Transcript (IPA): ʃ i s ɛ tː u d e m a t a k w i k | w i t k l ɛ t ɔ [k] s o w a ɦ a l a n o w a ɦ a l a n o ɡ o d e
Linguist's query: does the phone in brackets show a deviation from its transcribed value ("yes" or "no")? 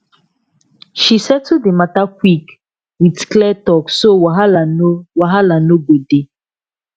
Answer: no